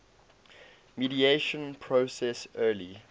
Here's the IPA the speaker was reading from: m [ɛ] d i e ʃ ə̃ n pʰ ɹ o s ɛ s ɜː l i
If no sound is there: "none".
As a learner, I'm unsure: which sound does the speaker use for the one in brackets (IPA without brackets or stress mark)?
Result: i